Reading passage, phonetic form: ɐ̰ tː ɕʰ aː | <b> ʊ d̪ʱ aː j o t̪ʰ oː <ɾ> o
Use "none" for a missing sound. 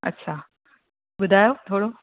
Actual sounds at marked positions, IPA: b, ɽ

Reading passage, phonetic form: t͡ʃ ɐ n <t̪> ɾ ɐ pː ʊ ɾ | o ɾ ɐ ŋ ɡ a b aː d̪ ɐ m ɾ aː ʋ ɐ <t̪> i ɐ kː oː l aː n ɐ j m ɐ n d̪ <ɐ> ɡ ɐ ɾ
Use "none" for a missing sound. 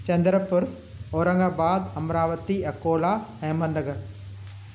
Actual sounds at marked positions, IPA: d̪, t̪, ɐ

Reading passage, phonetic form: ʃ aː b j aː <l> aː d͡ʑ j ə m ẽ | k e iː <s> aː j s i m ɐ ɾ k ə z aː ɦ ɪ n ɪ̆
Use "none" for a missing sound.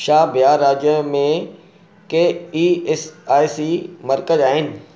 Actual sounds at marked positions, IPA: ɾ, s

